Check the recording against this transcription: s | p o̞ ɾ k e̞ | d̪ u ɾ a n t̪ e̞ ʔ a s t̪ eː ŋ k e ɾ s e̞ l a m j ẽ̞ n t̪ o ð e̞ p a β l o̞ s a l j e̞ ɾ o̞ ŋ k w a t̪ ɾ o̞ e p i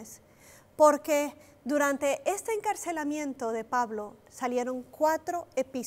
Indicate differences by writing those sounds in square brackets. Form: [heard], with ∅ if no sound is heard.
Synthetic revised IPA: s | p o̞ ɾ k e̞ | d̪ u ɾ a n t̪ e̞ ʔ [e] s t̪ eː ŋ k [a] ɾ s e̞ l a m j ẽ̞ n t̪ o ð e̞ p a β l o̞ s a l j e̞ ɾ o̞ ŋ k w a t̪ ɾ o̞ e p i